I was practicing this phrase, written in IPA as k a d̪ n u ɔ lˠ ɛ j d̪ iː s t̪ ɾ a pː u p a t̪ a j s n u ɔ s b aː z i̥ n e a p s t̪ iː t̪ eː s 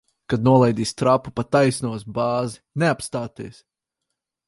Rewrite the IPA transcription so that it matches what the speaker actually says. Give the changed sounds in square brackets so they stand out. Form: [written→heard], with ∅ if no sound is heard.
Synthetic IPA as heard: k a d̪ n u ɔ lˠ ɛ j d̪ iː s t̪ ɾ a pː u p a t̪ a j s n u ɔ s b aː z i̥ n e a p s t̪ [iː→aː] t̪ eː s